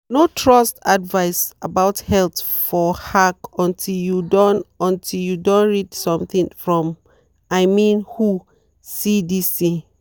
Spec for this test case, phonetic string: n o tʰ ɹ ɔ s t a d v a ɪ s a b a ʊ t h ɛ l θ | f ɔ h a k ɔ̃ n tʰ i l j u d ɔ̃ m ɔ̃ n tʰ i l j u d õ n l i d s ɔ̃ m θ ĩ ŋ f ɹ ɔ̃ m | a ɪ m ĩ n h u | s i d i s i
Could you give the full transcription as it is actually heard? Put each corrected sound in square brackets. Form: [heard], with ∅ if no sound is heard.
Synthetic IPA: n o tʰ ɹ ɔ s t a d v a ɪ s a b a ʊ t h ɛ l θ | f ɔ h a k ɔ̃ n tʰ i l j u d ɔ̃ [n] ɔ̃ n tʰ i l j u d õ n [ɹ] i d s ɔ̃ m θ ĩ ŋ f ɹ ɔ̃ m | a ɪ m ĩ n h u | s i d i s i